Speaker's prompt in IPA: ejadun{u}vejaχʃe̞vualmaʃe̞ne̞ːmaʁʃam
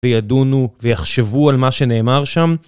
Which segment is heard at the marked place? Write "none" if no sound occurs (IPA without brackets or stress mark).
u